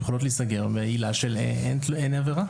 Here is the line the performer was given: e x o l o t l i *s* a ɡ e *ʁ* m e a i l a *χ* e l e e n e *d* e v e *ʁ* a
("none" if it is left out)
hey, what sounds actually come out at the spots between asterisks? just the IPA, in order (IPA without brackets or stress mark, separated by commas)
s, ʁ, ʃ, n, ʁ